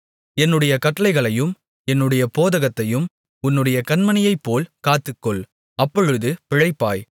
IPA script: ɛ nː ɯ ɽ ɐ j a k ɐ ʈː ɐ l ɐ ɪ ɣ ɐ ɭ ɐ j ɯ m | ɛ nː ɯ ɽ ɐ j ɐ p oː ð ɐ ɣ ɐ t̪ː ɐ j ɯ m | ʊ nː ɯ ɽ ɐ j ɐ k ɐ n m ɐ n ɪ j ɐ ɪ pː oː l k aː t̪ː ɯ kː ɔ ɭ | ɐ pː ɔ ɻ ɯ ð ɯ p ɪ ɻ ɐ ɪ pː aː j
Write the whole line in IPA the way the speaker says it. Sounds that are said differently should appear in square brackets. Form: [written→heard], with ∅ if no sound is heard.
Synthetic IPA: ɛ nː ɯ ɽ ɐ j [a→ɐ] k ɐ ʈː ɐ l ɐ ɪ ɣ ɐ ɭ ɐ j ɯ m | ɛ nː ɯ ɽ ɐ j ɐ p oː ð ɐ ɣ ɐ t̪ː ɐ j ɯ m | ʊ nː ɯ ɽ ɐ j ɐ k ɐ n m ɐ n ɪ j ɐ ɪ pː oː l k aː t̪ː ɯ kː ɔ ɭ | ɐ pː ɔ ɻ ɯ ð ɯ p ɪ ɻ ɐ ɪ pː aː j

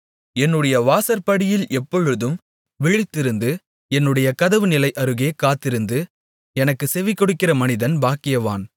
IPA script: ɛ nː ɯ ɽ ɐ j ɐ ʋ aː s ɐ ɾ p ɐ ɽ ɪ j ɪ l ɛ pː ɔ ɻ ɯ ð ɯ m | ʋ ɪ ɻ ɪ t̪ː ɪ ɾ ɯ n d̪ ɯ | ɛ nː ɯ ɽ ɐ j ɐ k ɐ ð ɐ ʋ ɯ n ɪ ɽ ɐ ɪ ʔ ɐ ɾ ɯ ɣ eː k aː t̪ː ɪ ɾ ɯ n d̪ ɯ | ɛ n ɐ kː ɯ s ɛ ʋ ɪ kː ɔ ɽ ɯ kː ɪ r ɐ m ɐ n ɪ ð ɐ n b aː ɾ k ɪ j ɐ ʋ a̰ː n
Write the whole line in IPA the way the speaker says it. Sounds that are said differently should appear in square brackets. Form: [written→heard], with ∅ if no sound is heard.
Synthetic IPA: ɛ nː ɯ ɽ ɐ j ɐ ʋ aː s ɐ ɾ p ɐ ɽ ɪ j ɪ l ɛ pː ɔ ɻ ɯ ð ɯ m | ʋ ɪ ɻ ɪ t̪ː ɪ ɾ ɯ n d̪ ɯ | ɛ nː ɯ ɽ ɐ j ɐ k ɐ ð ɐ ʋ ɯ n ɪ [ɽ→l] ɐ ɪ ʔ ɐ ɾ ɯ ɣ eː k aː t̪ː ɪ ɾ ɯ n d̪ ɯ | ɛ n ɐ kː ɯ s ɛ ʋ ɪ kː ɔ ɽ ɯ kː ɪ r ɐ m ɐ n ɪ ð ɐ n b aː [ɾ→∅] k ɪ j ɐ ʋ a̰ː n

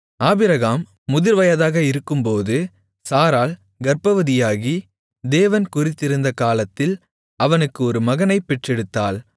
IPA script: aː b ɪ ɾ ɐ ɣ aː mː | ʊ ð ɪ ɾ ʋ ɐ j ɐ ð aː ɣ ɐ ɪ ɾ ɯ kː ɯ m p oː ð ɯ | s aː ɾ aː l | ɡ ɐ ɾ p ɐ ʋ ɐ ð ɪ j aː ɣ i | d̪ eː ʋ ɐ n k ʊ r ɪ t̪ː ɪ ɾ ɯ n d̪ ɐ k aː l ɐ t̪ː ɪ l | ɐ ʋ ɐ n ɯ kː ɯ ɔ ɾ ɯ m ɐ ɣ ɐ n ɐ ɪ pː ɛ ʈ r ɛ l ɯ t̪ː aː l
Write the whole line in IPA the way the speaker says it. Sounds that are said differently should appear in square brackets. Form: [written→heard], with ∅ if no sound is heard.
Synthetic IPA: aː b ɪ ɾ ɐ ɣ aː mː | ʊ ð ɪ ɾ ʋ ɐ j ɐ ð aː ɣ ɐ ɪ ɾ ɯ kː ɯ m p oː ð ɯ | s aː ɾ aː l | ɡ ɐ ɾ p ɐ ʋ ɐ ð ɪ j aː ɣ i | d̪ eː ʋ ɐ n k ʊ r ɪ t̪ː ɪ ɾ ɯ n d̪ ɐ k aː l ɐ t̪ː ɪ l | ɐ ʋ ɐ n ɯ kː ɯ ɔ ɾ ɯ m ɐ ɣ ɐ n ɐ ɪ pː ɛ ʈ r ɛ [l→ɽ] ɯ t̪ː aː l

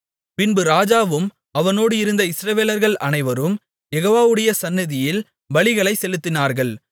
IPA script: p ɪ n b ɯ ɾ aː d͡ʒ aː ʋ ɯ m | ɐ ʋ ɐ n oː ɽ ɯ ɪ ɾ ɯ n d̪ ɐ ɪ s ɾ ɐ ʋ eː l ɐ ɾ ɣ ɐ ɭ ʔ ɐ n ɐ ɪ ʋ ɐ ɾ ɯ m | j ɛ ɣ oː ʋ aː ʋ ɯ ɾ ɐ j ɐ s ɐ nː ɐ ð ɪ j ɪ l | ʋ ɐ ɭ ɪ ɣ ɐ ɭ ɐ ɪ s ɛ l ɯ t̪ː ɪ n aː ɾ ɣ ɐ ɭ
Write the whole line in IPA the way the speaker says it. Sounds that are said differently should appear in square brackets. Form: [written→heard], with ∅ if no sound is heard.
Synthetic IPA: p ɪ n b ɯ ɾ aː d͡ʒ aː ʋ ɯ m | ɐ ʋ ɐ n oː ɽ ɯ ɪ ɾ ɯ n d̪ ɐ ɪ s ɾ ɐ ʋ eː l ɐ ɾ ɣ ɐ ɭ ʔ ɐ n ɐ ɪ ʋ ɐ ɾ ɯ m | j ɛ ɣ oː ʋ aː ʋ ɯ [ɾ→ɽ] ɐ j ɐ s ɐ nː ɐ ð ɪ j ɪ l | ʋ ɐ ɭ ɪ ɣ ɐ ɭ ɐ ɪ s ɛ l ɯ t̪ː ɪ n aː ɾ ɣ ɐ ɭ

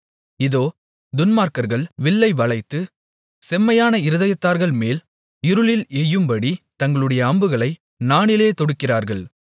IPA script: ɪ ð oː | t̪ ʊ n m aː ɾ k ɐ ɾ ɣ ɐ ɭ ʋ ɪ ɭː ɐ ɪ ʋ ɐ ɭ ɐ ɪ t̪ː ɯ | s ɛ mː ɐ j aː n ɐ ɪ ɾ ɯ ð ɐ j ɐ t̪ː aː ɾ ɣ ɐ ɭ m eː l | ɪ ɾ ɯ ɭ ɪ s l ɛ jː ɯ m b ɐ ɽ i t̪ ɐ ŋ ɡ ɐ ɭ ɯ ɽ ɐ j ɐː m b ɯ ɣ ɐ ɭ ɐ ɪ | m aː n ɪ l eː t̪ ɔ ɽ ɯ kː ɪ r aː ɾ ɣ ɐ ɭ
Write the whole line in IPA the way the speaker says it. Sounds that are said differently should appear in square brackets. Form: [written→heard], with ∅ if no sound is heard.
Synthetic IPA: ɪ ð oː | [t̪→d̪] ʊ n m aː ɾ k ɐ ɾ ɣ ɐ ɭ ʋ ɪ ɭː ɐ ɪ ʋ ɐ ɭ ɐ ɪ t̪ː ɯ | s ɛ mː ɐ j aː n ɐ ɪ ɾ ɯ ð ɐ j ɐ t̪ː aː ɾ ɣ ɐ ɭ m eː l | ɪ ɾ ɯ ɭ ɪ [s→∅] l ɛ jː ɯ m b ɐ ɽ i t̪ ɐ ŋ ɡ ɐ ɭ ɯ ɽ ɐ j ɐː m b ɯ ɣ ɐ ɭ ɐ ɪ | [m→n] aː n ɪ l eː t̪ ɔ ɽ ɯ kː ɪ r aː ɾ ɣ ɐ ɭ

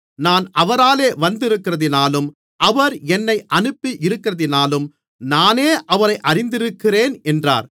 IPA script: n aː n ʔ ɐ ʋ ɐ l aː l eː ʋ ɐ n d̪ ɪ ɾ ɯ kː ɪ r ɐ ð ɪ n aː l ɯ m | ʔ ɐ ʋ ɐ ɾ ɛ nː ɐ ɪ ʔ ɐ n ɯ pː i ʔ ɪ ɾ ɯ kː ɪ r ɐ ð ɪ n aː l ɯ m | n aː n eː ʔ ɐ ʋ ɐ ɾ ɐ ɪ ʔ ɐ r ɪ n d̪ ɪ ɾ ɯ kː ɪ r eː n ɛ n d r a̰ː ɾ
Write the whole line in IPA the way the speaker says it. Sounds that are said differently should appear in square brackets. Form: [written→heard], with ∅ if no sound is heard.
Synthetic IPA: n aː n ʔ ɐ ʋ ɐ [l→ɾ] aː l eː ʋ ɐ n d̪ ɪ ɾ ɯ kː ɪ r ɐ ð ɪ n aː l ɯ m | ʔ ɐ ʋ ɐ ɾ ɛ nː ɐ ɪ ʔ ɐ n ɯ pː i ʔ ɪ ɾ ɯ kː ɪ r ɐ ð ɪ n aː l ɯ m | n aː n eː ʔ ɐ ʋ ɐ ɾ ɐ ɪ ʔ ɐ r ɪ n d̪ ɪ ɾ ɯ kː ɪ r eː n ɛ n d r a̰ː ɾ

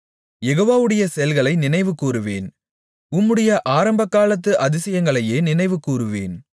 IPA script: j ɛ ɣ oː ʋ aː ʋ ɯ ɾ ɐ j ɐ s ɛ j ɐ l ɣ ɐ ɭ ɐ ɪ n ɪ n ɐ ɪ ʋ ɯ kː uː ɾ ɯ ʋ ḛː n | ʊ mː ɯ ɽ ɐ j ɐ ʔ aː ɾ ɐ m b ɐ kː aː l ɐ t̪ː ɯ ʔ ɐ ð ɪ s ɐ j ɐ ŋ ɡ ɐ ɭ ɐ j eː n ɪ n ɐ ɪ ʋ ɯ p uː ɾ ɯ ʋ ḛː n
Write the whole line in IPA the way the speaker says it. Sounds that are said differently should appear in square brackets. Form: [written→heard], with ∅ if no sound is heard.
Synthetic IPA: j ɛ ɣ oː ʋ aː ʋ ɯ [ɾ→ɽ] ɐ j ɐ s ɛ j ɐ l ɣ ɐ ɭ ɐ ɪ n ɪ n ɐ ɪ ʋ ɯ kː uː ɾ ɯ ʋ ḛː n | ʊ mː ɯ ɽ ɐ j ɐ ʔ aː ɾ ɐ m b ɐ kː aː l ɐ t̪ː ɯ ʔ ɐ ð ɪ s ɐ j ɐ ŋ ɡ ɐ ɭ ɐ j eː n ɪ n ɐ ɪ ʋ ɯ [p→k] uː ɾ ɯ ʋ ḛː n

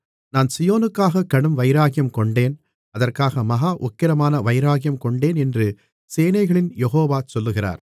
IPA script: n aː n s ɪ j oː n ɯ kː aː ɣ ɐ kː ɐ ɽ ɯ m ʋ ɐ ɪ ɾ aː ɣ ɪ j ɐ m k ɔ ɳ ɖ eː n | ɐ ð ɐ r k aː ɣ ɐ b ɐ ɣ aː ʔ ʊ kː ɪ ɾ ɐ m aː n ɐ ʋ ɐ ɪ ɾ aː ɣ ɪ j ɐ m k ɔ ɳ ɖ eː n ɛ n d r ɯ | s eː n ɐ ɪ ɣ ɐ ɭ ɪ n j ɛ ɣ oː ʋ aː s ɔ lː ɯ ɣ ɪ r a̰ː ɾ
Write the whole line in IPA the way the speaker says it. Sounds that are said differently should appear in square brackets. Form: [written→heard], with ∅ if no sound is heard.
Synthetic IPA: n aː n s ɪ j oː n ɯ kː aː ɣ ɐ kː ɐ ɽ ɯ m ʋ ɐ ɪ ɾ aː ɣ ɪ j ɐ m k ɔ ɳ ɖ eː n | ɐ ð ɐ r k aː ɣ ɐ [b→m] ɐ ɣ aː ʔ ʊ kː ɪ ɾ ɐ m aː n ɐ ʋ ɐ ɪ ɾ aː ɣ ɪ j ɐ m k ɔ ɳ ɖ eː n ɛ n d r ɯ | s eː n ɐ ɪ ɣ ɐ ɭ ɪ n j ɛ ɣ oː ʋ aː s ɔ lː ɯ ɣ ɪ r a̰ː ɾ

